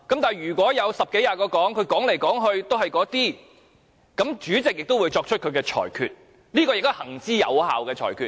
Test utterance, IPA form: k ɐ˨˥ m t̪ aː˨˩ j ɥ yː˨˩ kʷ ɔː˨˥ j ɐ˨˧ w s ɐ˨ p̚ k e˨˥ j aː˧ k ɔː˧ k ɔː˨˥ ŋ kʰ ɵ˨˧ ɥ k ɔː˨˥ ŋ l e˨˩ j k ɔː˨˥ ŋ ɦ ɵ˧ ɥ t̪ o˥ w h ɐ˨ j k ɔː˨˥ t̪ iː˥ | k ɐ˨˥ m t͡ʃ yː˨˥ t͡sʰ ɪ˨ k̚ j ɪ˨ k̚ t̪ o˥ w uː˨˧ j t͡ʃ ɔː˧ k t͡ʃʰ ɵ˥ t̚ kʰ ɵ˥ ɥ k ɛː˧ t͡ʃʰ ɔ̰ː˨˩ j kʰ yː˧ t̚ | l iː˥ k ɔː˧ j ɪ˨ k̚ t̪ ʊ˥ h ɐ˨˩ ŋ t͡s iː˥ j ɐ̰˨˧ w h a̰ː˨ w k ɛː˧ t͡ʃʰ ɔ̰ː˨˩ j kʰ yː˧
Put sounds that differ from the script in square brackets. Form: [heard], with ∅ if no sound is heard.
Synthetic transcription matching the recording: k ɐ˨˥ m t̪ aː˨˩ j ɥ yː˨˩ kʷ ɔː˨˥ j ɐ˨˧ w s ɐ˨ p̚ k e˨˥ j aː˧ k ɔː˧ k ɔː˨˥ ŋ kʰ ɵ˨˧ ɥ k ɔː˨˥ ŋ l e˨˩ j k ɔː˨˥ ŋ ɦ ɵ˧ ɥ t̪ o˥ w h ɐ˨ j k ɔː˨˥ t̪ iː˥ | k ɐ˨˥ m t͡ʃ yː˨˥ [t͡s] ɪ˨ k̚ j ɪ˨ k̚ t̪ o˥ w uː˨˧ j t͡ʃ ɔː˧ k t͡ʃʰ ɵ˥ t̚ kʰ [ɵ˨˧] ɥ k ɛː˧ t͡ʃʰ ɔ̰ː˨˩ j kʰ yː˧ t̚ | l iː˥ k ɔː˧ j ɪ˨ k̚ t̪ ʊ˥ h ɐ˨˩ ŋ t͡s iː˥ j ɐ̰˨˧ w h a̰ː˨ w k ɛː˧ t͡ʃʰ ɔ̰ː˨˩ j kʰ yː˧